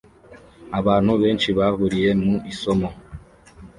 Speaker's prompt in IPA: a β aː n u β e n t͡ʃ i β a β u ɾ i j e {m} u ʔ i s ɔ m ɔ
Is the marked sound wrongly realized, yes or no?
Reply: no